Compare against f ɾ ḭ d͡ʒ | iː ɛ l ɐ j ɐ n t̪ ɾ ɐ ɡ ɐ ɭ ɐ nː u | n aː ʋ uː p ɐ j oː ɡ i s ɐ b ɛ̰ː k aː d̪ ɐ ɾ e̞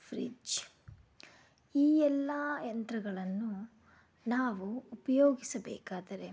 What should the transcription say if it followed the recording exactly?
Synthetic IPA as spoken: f ɾ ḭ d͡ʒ | iː ɛ lː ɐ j ɐ n t̪ ɾ ɐ ɡ ɐ ɭ ɐ nː u | n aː ʋ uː p ɐ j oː ɡ i s ɐ b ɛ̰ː k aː d̪ ɐ ɾ e̞